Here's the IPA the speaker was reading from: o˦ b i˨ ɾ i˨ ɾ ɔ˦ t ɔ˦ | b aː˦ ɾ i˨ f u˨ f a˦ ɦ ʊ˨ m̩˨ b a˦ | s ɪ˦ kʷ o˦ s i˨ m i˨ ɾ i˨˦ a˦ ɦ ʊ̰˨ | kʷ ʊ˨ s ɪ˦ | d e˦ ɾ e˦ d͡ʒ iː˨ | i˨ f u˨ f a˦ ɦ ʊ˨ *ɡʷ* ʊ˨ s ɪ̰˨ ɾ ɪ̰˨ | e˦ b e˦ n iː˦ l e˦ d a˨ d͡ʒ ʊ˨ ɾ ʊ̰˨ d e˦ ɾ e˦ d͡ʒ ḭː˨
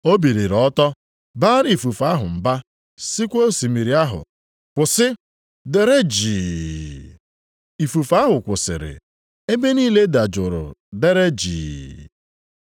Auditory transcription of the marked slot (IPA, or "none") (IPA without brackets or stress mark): kʷ